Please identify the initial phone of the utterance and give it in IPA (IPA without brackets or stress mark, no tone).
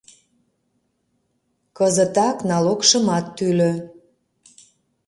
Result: k